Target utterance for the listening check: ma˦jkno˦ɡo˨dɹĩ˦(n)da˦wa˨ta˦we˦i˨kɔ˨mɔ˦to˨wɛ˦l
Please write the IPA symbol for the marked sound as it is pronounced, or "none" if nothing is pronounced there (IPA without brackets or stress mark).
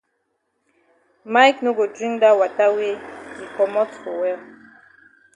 ŋ